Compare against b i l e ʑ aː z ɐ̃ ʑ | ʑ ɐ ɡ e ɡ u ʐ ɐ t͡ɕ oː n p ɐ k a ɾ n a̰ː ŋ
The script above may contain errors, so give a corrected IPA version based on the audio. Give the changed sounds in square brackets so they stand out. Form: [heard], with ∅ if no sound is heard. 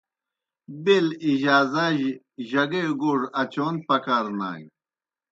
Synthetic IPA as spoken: b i l [i] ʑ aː z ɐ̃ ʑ | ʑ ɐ ɡ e ɡ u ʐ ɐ t͡ɕ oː n p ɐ k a ɾ n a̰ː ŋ